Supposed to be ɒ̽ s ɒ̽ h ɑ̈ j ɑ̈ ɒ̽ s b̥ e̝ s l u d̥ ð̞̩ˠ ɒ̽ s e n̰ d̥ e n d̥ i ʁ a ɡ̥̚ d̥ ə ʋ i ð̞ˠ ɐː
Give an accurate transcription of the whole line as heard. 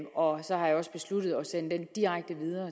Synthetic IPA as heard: ɒ̽ s ɒ̽ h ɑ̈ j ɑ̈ ɒ̽ s b̥ e̝ s l u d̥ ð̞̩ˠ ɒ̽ s e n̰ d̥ e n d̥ i ʁ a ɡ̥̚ d̥ ə ʋ i ð̞ˠ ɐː